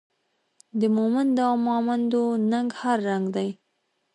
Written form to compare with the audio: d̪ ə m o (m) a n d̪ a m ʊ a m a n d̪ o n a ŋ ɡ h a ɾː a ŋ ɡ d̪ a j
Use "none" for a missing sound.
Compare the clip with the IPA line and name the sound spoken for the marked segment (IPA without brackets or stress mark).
m